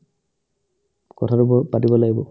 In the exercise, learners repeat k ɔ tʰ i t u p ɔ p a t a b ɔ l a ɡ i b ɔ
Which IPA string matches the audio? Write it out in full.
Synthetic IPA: k ɔ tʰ a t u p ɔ p a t i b ɔ l a ɡ i b ɔ